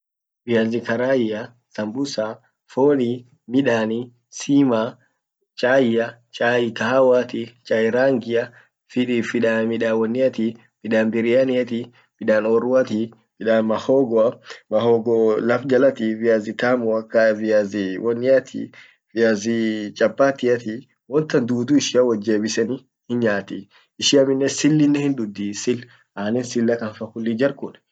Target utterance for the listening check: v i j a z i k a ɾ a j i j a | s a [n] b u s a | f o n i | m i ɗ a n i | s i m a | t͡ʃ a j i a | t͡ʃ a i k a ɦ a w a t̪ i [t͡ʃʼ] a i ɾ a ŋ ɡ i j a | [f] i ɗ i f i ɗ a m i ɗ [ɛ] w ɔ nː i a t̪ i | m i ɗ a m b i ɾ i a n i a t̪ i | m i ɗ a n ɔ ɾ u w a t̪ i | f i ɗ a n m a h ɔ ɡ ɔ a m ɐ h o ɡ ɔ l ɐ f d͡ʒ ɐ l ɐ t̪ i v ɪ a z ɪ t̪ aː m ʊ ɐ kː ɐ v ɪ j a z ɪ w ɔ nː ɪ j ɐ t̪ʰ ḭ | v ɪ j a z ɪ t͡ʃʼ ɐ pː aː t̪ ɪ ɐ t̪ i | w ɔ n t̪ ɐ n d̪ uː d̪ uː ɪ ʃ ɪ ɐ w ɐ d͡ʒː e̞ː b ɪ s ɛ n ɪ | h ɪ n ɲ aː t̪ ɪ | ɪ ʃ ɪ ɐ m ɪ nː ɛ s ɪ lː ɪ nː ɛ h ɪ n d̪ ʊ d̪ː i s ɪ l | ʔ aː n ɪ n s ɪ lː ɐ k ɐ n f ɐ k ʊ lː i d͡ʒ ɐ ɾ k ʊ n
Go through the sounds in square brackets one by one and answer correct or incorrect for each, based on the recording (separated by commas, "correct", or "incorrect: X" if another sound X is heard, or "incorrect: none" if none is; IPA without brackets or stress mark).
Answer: incorrect: m, incorrect: t͡ʃ, correct, incorrect: a